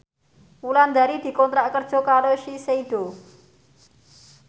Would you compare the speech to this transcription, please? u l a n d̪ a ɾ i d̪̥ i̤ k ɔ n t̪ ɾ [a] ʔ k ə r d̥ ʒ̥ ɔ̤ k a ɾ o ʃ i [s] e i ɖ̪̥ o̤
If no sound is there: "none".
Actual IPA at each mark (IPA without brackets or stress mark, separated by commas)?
a, s